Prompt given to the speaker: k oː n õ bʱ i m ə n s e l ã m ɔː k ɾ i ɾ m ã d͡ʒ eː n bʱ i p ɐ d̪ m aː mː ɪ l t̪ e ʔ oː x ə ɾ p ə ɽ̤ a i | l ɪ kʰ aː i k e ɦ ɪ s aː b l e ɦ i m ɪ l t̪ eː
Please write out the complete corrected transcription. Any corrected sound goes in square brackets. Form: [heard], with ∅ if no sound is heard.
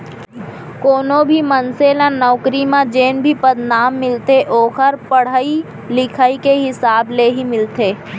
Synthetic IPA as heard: k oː n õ bʱ i m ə n s e l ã [n] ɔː k ɾ i [∅] m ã d͡ʒ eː n bʱ i p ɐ d̪ [n] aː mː ɪ l t̪ e ʔ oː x ə ɾ p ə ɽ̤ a i | l ɪ kʰ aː i k e ɦ ɪ s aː b l e ɦ i m ɪ l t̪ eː